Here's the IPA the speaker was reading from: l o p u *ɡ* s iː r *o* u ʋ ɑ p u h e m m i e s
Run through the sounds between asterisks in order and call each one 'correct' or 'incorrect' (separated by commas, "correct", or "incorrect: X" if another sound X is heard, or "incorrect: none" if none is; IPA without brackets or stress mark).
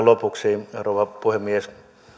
incorrect: k, correct